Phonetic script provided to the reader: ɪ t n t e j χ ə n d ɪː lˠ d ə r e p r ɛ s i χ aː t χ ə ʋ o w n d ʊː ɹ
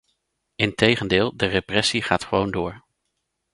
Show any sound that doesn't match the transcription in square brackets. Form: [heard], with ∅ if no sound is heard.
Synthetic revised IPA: ɪ [∅] n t e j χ ə n d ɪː lˠ d ə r e p r ɛ s i χ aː t χ ə ʋ o w n d ʊː ɹ